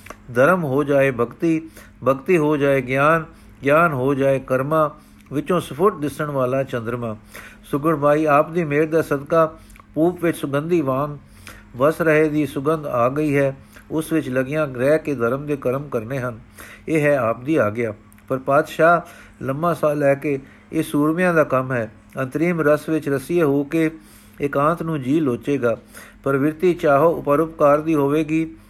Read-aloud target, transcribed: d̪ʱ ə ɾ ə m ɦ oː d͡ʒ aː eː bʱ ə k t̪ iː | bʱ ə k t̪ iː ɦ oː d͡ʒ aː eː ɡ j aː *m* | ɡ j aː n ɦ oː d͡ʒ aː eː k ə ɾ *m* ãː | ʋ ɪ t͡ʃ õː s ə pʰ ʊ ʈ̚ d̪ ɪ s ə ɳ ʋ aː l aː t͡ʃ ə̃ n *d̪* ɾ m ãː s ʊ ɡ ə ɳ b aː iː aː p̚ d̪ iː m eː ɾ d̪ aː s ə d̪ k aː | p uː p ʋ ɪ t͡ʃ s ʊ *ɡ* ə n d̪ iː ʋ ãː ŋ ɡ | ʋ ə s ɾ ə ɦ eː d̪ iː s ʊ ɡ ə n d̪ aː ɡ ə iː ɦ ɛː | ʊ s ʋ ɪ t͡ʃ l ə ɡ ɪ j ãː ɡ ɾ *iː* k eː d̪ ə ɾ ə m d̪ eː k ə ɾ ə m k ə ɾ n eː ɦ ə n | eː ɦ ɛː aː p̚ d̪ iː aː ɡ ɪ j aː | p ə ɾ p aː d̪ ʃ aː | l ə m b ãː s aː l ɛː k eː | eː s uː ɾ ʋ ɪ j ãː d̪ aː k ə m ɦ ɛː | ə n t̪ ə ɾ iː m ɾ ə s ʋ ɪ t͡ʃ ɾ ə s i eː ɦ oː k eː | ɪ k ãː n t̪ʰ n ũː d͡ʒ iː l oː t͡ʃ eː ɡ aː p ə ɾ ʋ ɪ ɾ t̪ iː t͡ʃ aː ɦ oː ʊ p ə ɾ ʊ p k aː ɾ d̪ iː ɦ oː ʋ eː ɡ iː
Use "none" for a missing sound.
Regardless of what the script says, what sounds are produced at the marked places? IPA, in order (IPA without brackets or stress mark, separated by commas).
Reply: n, m, d̪, ɡ, ɛː